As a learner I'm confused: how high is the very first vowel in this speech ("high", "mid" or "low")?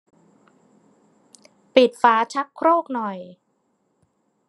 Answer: high